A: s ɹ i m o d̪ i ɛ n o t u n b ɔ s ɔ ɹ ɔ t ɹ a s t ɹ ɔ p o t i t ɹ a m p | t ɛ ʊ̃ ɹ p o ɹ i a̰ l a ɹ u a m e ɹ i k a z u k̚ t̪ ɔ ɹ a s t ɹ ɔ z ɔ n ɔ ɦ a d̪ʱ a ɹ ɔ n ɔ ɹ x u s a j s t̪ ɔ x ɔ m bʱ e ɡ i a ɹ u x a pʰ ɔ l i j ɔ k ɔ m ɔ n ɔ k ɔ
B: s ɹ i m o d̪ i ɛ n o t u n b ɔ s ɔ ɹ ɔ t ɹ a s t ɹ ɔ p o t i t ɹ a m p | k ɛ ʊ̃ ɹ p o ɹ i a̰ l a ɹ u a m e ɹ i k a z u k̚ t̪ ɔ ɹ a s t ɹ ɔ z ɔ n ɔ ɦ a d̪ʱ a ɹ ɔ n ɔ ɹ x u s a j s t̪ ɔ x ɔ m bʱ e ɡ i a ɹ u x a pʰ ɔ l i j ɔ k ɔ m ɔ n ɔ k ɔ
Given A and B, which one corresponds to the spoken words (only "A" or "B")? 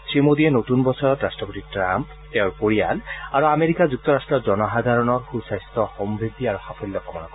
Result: A